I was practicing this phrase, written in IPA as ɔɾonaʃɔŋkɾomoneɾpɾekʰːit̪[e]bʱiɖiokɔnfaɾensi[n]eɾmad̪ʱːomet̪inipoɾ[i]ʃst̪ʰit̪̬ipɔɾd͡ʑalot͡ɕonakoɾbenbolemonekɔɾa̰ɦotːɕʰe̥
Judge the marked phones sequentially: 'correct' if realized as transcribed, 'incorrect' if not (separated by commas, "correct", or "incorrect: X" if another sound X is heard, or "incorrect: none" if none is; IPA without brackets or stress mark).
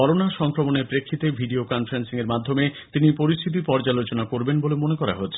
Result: correct, incorrect: ŋ, correct